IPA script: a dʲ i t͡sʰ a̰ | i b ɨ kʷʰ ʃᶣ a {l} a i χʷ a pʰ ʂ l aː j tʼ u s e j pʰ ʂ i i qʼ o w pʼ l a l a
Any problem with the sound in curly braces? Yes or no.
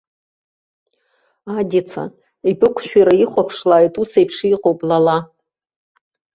yes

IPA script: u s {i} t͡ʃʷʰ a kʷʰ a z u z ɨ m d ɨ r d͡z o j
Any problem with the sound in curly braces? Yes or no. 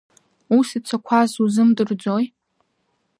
no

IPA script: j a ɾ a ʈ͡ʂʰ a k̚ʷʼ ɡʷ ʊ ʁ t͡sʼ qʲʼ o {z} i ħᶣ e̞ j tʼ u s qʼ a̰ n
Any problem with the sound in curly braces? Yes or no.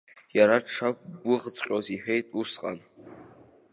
no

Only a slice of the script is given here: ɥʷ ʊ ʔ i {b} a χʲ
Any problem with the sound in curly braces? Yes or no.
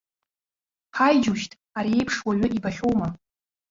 no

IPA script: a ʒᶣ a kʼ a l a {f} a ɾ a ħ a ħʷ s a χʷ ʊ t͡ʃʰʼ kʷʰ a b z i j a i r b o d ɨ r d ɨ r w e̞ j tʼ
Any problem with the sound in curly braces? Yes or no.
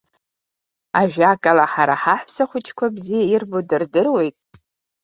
yes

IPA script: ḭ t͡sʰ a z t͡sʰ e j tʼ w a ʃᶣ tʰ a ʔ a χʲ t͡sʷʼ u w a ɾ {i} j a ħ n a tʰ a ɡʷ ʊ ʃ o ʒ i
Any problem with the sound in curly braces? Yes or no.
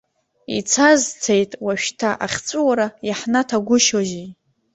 yes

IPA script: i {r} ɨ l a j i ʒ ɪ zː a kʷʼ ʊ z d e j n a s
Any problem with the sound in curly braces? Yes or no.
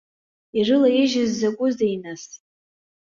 no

